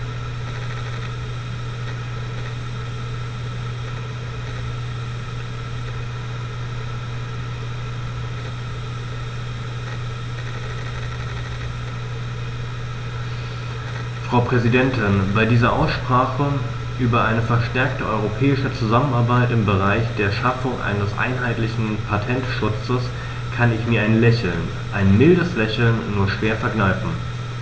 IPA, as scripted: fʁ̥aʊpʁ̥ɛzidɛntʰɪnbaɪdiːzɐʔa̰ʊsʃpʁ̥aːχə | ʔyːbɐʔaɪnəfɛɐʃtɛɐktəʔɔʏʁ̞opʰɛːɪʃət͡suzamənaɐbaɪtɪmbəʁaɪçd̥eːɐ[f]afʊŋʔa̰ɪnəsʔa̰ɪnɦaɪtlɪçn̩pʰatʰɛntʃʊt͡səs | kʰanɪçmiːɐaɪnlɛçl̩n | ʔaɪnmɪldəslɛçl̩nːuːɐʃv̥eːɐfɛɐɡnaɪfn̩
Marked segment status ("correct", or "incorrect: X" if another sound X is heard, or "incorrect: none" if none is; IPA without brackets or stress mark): incorrect: ʃ